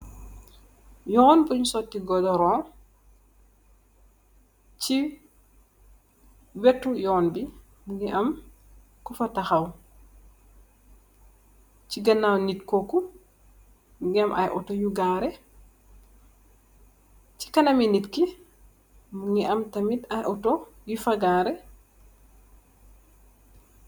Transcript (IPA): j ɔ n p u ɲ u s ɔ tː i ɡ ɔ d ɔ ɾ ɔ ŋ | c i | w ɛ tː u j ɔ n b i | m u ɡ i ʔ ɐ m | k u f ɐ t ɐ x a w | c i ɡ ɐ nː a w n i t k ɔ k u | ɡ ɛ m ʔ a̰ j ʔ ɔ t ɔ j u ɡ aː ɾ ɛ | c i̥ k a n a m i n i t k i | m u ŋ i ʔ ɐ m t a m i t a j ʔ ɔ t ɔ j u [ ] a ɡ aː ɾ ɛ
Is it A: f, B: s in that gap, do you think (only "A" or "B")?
A